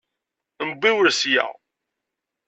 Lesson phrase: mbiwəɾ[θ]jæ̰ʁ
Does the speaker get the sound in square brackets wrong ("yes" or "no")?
yes